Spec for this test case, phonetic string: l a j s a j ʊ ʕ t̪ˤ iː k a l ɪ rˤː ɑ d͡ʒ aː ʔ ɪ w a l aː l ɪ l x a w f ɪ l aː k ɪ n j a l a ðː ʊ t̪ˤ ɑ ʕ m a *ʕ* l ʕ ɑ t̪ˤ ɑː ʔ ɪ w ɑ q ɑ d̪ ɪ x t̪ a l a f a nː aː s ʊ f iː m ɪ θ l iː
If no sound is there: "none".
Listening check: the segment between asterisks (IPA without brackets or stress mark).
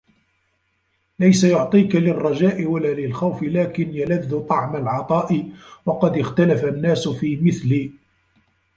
none